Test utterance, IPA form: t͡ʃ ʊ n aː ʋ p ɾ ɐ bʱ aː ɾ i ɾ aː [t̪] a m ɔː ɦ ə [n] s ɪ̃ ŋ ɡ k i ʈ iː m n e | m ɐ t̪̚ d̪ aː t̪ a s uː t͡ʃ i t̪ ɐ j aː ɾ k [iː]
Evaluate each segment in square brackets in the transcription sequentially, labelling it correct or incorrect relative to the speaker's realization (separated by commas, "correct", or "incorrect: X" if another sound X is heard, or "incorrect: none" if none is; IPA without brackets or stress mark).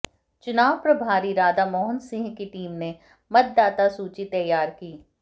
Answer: incorrect: d̪, correct, correct